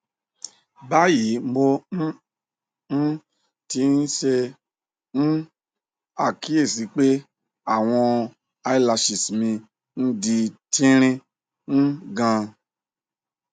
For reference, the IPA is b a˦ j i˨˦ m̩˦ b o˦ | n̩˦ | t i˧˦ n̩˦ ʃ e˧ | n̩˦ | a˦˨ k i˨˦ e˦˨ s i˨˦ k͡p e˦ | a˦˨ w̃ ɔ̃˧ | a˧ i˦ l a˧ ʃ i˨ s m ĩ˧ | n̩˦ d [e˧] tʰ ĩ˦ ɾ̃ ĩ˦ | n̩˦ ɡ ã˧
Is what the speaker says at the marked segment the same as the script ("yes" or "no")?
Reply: no